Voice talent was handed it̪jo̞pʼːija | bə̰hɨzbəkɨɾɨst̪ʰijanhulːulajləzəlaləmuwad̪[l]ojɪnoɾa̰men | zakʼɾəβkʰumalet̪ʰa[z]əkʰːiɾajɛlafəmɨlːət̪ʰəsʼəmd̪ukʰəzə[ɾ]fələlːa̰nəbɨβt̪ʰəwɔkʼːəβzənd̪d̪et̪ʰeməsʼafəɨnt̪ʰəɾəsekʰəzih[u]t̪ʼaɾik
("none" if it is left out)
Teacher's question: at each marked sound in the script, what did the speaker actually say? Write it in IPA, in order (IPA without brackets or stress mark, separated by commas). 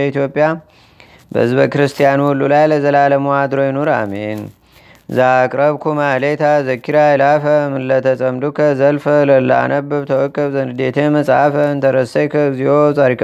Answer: ɾ, z, l, o